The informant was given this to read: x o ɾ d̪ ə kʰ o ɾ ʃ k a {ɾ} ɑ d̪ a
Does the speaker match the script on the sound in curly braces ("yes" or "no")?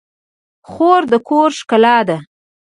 no